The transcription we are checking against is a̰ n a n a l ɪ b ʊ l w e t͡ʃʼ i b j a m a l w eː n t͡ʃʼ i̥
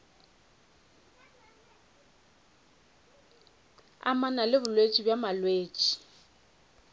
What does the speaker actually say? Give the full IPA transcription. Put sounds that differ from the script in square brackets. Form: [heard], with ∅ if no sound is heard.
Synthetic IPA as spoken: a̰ [m] a n a l ɪ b ʊ l w e t͡ʃʼ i b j a m a l w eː [∅] t͡ʃʼ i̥

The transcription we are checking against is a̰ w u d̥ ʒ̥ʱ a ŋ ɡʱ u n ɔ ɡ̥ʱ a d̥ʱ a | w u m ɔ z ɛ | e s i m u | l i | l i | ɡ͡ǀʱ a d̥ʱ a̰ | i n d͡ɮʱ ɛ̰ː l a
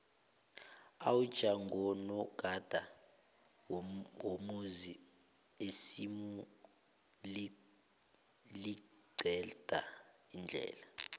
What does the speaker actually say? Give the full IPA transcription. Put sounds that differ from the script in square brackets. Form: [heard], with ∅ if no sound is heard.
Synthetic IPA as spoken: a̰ w u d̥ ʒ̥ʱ a ŋ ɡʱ [ɔ] n ɔ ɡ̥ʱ a d̥ʱ a | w [o] m [u] z [i] | e s i m u | l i | l i | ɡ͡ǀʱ [ɛ] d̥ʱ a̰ | i n d͡ɮʱ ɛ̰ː l a

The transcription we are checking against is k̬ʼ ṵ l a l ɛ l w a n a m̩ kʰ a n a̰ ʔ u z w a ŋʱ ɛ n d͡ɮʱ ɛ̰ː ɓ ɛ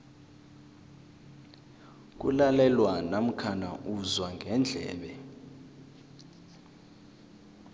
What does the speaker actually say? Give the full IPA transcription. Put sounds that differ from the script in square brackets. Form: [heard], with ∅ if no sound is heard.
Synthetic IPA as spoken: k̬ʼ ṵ l a l ɛ l w a n a m̩ kʰ a n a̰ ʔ u z w a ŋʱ ɛ n d͡ɮʱ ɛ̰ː ɓ ɛ

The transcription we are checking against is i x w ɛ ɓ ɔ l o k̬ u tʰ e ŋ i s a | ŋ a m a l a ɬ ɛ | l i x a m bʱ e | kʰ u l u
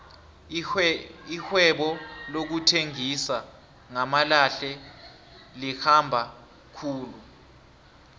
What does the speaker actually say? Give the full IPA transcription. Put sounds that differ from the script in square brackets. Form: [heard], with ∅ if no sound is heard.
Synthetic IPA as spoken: i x w ɛ ɓ ɔ l o k̬ u tʰ e ŋ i s a | ŋ a m a l a ɬ ɛ | l i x a m bʱ [a] | kʰ [uː] l u

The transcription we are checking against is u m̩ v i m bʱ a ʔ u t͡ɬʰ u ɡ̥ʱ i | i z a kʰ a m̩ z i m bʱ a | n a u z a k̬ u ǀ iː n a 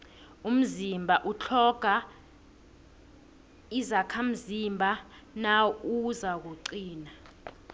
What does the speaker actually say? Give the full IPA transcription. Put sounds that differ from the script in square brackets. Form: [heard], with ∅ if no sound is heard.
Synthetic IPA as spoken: u m̩ [z] i m bʱ a ʔ u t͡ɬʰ [ɔ] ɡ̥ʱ [a] | i z a kʰ a m̩ z i m bʱ a | n a u z a k̬ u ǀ iː n a

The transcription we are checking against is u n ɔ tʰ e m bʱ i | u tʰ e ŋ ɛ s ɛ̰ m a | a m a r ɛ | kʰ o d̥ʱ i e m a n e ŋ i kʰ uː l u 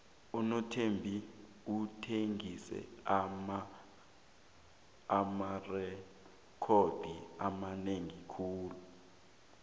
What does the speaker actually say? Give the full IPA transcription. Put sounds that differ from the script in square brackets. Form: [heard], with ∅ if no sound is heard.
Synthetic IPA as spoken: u n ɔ tʰ e m bʱ i | u tʰ e ŋ [i] s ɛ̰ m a | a m a r ɛ | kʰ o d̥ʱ i [a] m a n e ŋ i kʰ uː l u

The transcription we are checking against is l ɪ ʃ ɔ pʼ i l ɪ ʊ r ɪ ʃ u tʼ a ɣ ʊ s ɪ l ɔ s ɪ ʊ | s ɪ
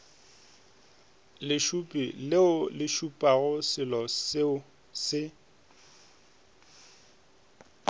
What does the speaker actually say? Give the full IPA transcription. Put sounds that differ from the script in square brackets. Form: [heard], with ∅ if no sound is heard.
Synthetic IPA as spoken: l ɪ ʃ [u] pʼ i l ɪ ʊ [l] ɪ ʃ u [pʼ] a ɣ ʊ s ɪ l ɔ s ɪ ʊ | s ɪ

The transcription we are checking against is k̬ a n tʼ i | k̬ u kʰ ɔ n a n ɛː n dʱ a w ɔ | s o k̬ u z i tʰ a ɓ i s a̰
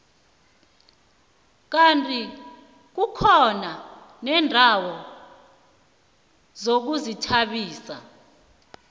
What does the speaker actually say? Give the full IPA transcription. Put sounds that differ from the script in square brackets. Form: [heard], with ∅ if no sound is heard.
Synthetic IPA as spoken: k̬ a n tʼ i | k̬ u kʰ ɔ n a n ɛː n dʱ a w ɔ | [z] o k̬ u z i tʰ a ɓ [iː] s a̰

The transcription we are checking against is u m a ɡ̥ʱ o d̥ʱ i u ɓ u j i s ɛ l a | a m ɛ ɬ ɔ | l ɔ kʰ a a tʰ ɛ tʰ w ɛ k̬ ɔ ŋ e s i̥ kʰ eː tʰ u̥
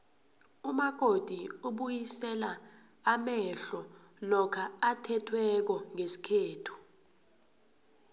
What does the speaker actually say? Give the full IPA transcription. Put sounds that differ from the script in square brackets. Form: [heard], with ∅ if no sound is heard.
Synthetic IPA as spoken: u m a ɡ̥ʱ o d̥ʱ i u ɓ u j i s ɛ l a | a m ɛ ɬ ɔ | l ɔ kʰ a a tʰ ɛ tʰ w ɛ k̬ ɔ ŋ e s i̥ kʰ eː tʰ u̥

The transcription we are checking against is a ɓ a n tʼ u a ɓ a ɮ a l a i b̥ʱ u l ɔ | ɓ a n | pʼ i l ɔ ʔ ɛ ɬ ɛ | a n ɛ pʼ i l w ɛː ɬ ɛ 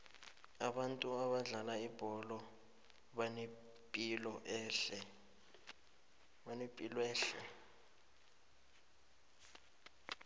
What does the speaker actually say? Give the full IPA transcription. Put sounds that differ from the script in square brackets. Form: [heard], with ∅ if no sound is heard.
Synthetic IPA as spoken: a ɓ a n tʼ u a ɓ a ɮ a l a i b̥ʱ [ɔ] l ɔ | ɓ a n | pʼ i l ɔ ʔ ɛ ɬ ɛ | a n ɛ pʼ i l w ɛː ɬ ɛ

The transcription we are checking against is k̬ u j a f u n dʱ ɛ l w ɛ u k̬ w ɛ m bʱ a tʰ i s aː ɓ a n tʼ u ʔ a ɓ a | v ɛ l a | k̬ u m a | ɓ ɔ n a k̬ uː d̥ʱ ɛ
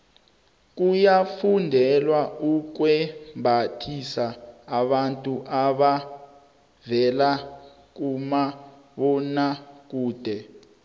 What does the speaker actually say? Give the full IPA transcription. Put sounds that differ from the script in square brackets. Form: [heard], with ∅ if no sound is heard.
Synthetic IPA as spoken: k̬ u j a f u n dʱ ɛ l w [a] u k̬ w ɛ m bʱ a tʰ i s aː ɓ a n tʼ u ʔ a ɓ a | v ɛ l a | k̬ u m a | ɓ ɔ n a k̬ uː d̥ʱ ɛ

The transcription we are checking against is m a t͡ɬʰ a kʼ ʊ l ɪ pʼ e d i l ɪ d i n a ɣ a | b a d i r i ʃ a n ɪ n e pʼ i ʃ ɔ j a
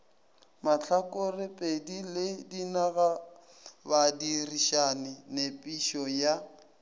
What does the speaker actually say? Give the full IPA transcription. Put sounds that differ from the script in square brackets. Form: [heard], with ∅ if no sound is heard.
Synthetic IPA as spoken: m a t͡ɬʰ a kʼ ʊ [r] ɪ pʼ e d i l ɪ d i n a ɣ a | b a d i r i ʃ a n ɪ n e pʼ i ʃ ɔ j a

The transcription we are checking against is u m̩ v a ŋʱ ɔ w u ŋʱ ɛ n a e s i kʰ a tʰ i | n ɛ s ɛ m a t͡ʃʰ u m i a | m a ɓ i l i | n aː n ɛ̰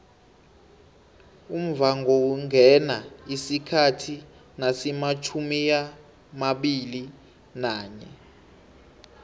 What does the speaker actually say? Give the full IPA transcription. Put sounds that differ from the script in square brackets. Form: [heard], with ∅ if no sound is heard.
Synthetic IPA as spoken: u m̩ v a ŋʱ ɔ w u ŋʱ ɛ n a [i] s i kʰ a tʰ i | n [a] s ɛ m a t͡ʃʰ u m i a | m a ɓ i l i | n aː [ɲ] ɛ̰

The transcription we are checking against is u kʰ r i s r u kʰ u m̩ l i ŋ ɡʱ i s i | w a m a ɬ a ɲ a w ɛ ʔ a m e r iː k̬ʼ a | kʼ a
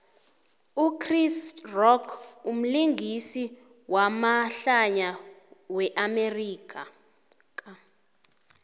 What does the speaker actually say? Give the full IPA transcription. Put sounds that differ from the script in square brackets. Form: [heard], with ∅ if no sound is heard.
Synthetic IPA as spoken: u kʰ r i s r [ɔ] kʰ u m̩ l i ŋ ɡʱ i s i | w a m a ɬ a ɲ a w ɛ ʔ a m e r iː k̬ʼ a | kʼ a

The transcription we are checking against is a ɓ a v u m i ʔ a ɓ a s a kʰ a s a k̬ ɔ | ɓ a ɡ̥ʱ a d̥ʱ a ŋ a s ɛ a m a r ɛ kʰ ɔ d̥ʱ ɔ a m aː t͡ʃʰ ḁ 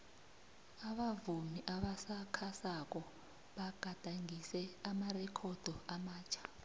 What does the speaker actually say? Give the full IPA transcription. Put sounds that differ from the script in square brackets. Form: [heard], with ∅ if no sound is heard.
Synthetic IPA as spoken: a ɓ a v u m i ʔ a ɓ a s a kʰ a s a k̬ ɔ | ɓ a ɡ̥ʱ a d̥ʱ a ŋ [i] s ɛ a m a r ɛ kʰ ɔ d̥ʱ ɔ a m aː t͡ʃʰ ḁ

